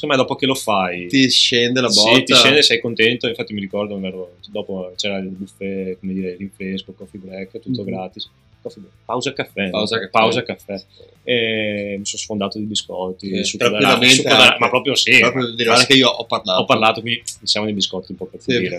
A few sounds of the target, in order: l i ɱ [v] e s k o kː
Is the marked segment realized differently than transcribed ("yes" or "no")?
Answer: yes